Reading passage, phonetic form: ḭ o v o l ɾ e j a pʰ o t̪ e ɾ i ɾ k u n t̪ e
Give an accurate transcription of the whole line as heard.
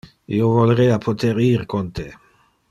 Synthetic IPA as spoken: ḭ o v o l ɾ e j a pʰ o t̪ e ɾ i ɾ k o n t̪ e